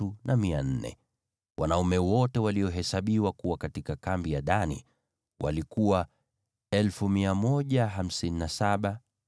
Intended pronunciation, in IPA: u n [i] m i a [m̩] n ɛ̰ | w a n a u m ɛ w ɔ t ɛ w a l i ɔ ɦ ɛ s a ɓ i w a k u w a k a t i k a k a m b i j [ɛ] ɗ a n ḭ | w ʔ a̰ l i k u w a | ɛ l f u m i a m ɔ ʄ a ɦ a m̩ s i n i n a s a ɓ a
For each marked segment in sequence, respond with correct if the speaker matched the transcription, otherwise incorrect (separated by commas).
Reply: incorrect, incorrect, incorrect